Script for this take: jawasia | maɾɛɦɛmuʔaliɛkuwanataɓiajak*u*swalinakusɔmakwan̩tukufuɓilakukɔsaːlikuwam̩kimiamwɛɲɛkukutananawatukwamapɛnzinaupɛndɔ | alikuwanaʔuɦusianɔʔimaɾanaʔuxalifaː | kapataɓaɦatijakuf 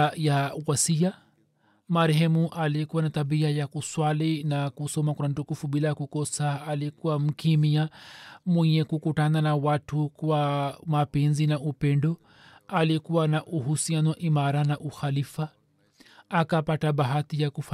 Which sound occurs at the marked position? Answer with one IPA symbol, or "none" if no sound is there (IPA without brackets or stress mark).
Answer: u